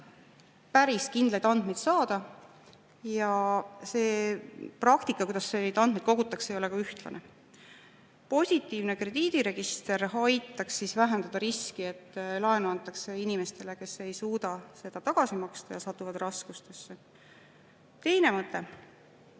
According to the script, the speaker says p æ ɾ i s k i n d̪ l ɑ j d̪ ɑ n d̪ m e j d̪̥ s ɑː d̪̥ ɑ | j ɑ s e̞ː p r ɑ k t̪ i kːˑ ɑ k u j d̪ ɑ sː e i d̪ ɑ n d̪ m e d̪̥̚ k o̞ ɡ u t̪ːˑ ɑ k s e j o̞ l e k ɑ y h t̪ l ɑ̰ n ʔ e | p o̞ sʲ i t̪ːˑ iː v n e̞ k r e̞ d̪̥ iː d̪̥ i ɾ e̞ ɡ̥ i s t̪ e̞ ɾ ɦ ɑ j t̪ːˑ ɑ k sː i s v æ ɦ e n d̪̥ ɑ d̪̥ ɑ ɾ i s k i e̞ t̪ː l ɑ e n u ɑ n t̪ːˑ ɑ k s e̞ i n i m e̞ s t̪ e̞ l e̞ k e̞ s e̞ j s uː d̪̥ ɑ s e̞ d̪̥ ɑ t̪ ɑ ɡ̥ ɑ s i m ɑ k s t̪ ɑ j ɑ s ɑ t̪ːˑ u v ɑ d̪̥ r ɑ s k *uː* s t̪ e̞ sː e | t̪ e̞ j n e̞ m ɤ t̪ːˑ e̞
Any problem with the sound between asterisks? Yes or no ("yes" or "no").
yes